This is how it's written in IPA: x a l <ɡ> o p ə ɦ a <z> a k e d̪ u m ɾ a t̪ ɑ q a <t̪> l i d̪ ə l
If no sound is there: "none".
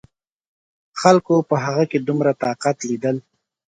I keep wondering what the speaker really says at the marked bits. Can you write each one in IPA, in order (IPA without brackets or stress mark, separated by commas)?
k, ɣ, t̪